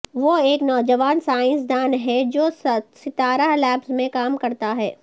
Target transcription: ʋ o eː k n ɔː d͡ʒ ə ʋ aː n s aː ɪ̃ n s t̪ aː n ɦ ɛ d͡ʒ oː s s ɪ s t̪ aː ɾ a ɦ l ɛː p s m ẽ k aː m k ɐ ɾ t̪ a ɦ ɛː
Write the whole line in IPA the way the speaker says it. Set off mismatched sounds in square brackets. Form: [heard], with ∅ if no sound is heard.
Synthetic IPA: ʋ o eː k n ɔː d͡ʒ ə ʋ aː n s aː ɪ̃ n s [d̪] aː n ɦ ɛ d͡ʒ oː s s ɪ [∅] t̪ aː ɾ a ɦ l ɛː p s m ẽ k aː m k ɐ ɾ t̪ a ɦ ɛː